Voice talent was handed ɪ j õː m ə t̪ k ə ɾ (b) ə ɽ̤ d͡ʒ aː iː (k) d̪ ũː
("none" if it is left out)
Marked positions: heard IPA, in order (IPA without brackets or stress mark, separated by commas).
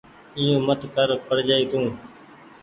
p, none